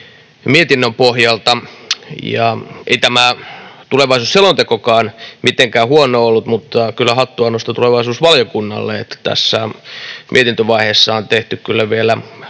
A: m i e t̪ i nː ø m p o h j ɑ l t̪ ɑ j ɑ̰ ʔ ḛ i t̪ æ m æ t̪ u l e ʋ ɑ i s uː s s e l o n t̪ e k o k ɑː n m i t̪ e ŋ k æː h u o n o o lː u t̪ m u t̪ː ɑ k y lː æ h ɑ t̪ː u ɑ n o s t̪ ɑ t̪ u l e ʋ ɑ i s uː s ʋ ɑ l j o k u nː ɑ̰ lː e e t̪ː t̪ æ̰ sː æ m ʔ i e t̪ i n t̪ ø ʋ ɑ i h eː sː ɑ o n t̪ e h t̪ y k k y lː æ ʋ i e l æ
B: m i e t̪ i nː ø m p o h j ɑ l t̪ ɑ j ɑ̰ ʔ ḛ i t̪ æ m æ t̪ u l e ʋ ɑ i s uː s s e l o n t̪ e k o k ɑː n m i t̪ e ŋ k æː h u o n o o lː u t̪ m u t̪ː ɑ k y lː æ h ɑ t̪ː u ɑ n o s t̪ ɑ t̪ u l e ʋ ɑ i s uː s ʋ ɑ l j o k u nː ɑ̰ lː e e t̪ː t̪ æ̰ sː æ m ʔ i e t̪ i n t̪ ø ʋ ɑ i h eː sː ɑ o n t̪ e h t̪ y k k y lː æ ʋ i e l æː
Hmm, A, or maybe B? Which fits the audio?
A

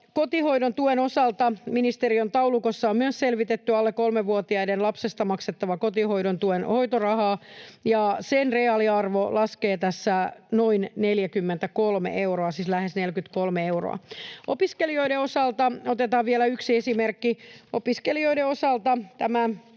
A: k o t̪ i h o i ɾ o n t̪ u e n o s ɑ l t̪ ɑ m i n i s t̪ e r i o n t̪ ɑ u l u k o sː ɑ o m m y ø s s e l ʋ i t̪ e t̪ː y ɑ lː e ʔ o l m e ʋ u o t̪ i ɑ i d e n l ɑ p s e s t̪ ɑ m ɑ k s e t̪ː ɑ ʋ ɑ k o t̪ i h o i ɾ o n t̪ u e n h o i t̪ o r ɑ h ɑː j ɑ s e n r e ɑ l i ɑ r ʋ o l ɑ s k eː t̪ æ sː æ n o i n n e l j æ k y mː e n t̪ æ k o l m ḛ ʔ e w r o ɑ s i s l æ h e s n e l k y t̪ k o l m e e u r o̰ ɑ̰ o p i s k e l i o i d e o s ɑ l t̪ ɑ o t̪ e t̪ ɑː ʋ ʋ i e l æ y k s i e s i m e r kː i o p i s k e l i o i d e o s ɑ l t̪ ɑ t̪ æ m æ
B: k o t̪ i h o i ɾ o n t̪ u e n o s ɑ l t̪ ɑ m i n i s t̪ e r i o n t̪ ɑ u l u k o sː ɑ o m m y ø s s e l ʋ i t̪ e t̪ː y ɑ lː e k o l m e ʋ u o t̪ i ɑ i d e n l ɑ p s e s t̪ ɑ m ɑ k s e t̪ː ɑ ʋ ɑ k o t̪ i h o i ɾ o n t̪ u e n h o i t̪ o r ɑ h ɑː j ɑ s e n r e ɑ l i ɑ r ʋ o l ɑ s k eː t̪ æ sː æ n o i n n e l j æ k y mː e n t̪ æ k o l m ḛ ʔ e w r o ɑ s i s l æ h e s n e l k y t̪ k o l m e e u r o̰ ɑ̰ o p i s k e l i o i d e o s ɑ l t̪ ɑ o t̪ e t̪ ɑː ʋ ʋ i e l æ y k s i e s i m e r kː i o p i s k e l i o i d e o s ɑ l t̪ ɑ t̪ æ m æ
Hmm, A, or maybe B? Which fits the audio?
B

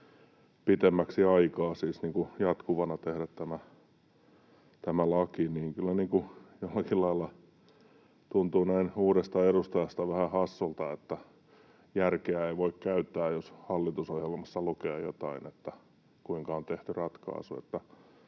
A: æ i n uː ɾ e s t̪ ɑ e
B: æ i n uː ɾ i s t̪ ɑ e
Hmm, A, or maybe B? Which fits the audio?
A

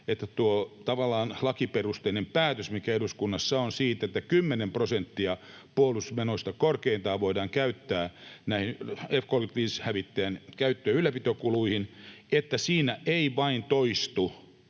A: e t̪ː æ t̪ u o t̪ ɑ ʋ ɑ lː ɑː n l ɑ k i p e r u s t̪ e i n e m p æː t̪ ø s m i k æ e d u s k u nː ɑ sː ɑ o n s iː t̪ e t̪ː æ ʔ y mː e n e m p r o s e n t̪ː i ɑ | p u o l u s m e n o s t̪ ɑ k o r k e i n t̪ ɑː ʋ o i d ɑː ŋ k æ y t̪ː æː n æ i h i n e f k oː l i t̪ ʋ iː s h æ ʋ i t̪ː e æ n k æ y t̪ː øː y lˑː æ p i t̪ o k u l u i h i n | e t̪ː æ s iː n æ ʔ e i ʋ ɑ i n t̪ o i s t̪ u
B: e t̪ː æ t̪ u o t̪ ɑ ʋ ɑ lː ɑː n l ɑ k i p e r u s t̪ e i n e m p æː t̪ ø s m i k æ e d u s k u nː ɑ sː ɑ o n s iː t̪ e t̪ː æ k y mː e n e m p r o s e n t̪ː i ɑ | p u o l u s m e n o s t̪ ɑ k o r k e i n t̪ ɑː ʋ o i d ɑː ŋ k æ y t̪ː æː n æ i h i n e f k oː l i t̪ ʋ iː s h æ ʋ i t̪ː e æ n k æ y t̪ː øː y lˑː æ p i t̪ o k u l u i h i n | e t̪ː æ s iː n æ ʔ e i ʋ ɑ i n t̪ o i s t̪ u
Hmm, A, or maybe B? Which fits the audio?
B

